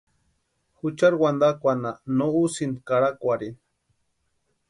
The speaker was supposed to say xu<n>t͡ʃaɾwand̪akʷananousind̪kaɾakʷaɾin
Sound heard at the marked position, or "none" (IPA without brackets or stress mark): none